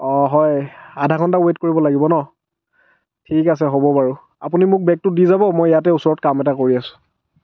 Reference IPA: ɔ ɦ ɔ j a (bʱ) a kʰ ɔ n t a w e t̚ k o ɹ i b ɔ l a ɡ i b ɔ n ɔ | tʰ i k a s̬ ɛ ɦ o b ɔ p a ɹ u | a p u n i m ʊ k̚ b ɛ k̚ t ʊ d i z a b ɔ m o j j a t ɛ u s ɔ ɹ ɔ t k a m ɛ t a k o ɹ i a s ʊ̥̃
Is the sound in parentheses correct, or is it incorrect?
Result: incorrect